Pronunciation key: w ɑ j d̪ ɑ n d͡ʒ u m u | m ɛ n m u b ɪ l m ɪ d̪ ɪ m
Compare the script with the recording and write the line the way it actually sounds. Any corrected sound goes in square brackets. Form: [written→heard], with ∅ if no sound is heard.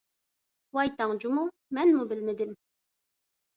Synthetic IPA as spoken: w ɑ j [d̪→t̪] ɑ [n→ŋ] d͡ʒ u m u | m ɛ n m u b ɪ l m ɪ d̪ ɪ m